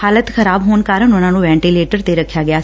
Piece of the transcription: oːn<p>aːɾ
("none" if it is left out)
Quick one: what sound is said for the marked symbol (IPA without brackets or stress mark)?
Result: k